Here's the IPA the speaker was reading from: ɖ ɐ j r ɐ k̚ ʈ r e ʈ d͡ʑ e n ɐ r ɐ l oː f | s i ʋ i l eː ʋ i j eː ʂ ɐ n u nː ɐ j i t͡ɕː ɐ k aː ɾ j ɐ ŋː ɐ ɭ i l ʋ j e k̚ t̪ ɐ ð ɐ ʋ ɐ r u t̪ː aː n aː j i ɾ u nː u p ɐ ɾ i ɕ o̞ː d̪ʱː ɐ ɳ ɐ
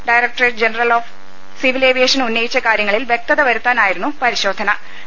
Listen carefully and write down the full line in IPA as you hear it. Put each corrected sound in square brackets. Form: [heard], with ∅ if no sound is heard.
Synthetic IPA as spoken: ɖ ɐ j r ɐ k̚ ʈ r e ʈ d͡ʑ e n ɐ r ɐ l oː f | s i ʋ i l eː ʋ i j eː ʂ ɐ n u nː ɐ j i t͡ɕː ɐ k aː ɾ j ɐ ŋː ɐ ɭ i l ʋ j e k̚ t̪ ɐ ð ɐ ʋ ɐ [ɾ] u t̪ː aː n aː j i ɾ u nː u p ɐ ɾ i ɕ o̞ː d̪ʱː ɐ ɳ ɐ